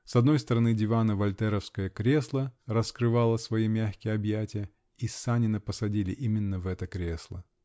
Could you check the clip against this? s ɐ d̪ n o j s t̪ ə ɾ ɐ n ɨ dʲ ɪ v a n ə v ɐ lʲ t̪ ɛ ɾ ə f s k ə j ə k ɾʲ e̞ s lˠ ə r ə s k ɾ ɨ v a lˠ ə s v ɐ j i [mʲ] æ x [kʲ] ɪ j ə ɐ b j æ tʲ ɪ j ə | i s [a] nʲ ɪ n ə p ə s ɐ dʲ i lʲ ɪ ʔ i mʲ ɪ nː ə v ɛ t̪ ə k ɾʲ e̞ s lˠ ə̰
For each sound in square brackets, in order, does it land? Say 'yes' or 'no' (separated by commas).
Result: yes, yes, yes